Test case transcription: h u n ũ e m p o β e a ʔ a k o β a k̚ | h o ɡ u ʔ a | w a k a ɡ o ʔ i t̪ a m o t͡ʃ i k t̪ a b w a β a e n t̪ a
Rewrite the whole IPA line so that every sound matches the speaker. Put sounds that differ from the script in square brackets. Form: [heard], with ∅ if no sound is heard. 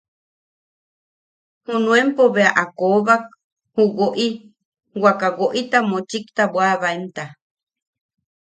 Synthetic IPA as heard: h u n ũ e m p o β e a ʔ a k o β a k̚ | h [u] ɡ [o] ʔ [i] | w a k a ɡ o ʔ i t̪ a m o t͡ʃ i k t̪ a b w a β a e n t̪ a